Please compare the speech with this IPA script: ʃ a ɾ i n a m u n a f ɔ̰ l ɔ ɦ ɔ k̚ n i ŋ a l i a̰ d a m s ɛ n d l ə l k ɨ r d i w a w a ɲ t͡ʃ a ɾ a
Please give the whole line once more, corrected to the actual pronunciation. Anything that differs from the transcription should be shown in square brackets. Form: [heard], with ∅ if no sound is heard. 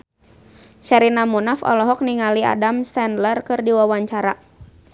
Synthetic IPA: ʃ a ɾ i n a m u n a f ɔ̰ l ɔ ɦ ɔ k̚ n i ŋ a l i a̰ d a m s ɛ n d l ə [r] k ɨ r d i w a w a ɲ t͡ʃ a ɾ a